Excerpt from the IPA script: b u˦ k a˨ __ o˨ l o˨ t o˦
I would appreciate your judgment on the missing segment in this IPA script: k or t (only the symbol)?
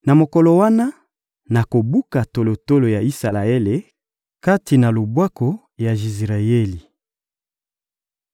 t